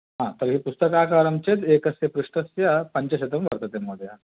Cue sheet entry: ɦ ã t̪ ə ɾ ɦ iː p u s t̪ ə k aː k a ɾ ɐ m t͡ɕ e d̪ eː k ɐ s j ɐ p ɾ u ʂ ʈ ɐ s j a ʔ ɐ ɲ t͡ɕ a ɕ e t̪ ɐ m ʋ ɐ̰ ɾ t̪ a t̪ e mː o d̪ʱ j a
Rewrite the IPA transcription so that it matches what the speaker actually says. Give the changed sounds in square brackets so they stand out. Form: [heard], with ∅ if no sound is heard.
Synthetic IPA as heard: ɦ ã t̪ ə ɾ ɦ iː p u s t̪ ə k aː k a ɾ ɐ m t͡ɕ e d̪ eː k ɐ s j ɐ p ɾ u ʂ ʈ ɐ s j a [p] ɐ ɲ t͡ɕ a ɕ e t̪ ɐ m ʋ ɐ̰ ɾ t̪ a t̪ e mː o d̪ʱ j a